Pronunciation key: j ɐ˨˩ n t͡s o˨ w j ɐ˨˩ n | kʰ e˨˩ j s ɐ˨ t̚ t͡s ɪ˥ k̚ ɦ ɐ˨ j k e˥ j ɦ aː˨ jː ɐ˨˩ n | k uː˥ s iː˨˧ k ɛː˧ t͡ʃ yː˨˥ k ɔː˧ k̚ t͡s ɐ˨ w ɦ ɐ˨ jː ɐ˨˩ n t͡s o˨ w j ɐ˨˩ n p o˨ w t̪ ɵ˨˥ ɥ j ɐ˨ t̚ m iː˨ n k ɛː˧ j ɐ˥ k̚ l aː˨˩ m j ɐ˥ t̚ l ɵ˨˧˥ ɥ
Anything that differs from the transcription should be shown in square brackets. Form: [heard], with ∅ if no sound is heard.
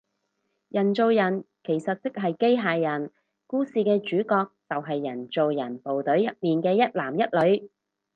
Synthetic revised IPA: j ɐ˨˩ n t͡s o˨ w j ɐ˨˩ n | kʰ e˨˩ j s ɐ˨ t̚ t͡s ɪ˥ k̚ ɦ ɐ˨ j k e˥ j ɦ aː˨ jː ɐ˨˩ n | k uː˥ s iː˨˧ k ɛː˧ t͡ʃ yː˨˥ k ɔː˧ k̚ t͡s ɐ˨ w ɦ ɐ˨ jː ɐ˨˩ n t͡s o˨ w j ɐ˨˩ n p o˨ w t̪ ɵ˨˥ ɥ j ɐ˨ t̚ m iː˨ n k ɛː˧ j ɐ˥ [t̚] l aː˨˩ m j ɐ˥ t̚ l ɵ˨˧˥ ɥ